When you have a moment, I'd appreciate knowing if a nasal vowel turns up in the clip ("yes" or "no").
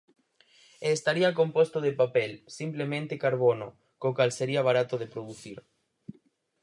yes